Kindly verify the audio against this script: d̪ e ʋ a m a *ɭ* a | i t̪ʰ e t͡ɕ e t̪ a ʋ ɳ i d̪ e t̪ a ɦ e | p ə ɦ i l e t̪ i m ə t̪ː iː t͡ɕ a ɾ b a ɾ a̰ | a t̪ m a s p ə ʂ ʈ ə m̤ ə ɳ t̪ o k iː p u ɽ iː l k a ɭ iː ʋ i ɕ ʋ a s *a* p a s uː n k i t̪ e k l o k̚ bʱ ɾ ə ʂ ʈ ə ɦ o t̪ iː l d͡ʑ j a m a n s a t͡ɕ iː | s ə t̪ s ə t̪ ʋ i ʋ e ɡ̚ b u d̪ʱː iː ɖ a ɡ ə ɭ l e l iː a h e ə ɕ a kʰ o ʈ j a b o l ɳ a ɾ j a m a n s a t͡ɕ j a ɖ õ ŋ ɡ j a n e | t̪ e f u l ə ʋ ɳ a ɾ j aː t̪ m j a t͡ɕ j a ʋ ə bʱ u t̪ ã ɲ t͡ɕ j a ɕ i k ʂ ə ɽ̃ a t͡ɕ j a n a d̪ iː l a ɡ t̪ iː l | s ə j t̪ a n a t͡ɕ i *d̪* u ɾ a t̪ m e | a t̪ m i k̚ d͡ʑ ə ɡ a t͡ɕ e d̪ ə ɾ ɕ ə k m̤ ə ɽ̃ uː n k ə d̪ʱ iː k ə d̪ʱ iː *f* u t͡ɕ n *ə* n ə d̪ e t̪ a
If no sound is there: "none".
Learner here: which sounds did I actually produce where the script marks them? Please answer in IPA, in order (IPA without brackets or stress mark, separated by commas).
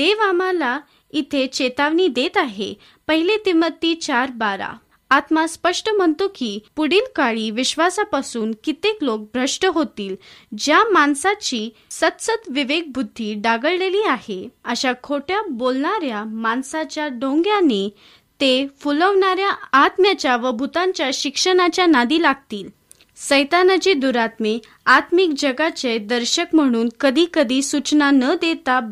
l, a, d̪, s, a